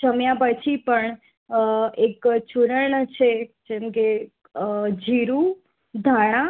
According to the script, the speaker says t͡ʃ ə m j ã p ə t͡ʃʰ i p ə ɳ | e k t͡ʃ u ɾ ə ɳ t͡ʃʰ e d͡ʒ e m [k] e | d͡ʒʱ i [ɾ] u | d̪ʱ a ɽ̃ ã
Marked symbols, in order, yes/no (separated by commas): yes, yes